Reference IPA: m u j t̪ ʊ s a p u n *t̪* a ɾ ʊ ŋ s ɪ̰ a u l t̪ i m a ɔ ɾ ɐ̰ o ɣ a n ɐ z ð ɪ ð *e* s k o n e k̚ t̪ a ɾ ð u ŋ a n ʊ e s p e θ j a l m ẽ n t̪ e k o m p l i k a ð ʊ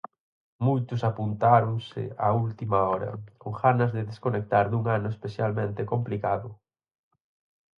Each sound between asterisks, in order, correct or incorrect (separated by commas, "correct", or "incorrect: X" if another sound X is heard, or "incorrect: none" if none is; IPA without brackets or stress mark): correct, correct